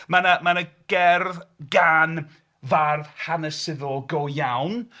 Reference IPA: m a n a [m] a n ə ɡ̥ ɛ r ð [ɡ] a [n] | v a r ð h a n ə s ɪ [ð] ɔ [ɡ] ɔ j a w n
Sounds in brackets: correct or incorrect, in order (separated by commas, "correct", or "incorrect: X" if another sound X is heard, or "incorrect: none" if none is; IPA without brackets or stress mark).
correct, correct, correct, correct, correct